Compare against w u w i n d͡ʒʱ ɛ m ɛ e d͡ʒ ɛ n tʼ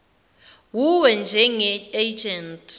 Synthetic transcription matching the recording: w u w ɛ n d͡ʒʱ ɛ ŋ ɛ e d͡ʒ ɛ n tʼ